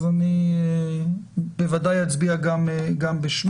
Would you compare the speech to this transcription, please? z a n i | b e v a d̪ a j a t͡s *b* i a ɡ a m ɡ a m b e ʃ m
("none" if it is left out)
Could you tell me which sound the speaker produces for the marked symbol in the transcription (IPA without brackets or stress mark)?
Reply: b